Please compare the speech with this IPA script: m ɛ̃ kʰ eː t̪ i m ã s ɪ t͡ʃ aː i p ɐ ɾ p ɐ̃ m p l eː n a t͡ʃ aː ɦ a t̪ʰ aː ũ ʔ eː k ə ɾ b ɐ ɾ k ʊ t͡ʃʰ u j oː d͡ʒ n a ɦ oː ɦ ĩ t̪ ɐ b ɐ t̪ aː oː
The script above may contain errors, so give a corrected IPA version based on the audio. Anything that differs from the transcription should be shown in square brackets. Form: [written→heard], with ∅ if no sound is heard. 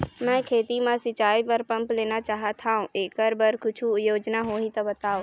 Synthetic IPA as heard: m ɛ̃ kʰ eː t̪ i m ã s ɪ t͡ʃ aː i p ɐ ɾ p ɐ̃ m p l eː n a t͡ʃ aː ɦ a t̪ʰ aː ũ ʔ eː k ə ɾ b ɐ ɾ k ʊ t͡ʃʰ u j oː d͡ʒ n a ɦ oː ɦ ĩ t̪ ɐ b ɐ t̪ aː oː